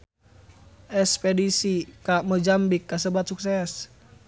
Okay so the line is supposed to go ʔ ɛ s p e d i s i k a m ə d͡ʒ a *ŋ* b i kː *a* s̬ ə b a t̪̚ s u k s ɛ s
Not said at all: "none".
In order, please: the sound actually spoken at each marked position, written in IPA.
m, a

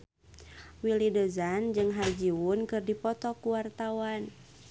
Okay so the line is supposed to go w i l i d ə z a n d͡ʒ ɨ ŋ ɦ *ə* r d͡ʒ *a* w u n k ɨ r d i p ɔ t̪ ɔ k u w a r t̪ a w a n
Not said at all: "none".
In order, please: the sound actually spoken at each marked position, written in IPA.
a, i

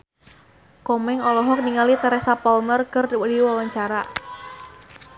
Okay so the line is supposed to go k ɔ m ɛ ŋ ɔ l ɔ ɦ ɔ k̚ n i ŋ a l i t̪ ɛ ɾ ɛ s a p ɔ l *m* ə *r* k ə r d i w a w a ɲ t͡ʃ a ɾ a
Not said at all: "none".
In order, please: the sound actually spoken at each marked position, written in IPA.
m, r

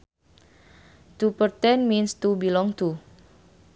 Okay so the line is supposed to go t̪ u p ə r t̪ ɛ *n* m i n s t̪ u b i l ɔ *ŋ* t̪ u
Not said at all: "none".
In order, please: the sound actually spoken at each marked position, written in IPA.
n, ŋ

